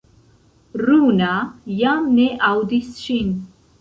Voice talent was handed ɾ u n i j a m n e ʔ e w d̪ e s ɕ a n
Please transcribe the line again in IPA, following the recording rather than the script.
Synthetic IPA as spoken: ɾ u n a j a m n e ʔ a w d̪ i s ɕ i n